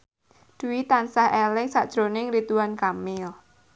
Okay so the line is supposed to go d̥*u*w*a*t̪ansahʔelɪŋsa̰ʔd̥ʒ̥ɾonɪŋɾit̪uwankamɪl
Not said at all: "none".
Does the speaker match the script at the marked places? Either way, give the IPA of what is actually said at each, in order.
u, i

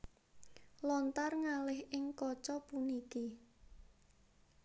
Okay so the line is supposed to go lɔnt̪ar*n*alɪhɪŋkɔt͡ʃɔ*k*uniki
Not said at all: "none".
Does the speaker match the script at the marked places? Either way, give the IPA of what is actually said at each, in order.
ŋ, p

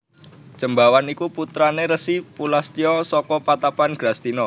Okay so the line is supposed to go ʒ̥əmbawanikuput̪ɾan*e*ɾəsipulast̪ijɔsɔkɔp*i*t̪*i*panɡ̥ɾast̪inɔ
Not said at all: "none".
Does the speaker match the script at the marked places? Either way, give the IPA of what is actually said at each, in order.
e, a, a

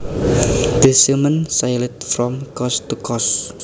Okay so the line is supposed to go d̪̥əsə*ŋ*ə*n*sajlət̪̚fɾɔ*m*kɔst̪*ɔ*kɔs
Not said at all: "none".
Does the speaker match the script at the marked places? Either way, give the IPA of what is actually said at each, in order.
m, n, m, u

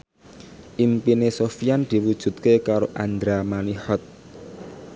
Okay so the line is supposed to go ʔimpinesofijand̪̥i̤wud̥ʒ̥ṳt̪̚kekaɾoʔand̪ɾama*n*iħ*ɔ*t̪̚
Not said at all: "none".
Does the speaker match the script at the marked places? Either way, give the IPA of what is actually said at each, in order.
n, ɔ

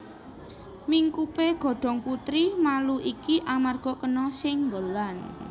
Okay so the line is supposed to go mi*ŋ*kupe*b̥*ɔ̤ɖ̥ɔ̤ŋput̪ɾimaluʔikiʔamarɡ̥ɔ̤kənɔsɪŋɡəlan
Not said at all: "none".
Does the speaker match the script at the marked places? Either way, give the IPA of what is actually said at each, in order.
ŋ, ɡ̥

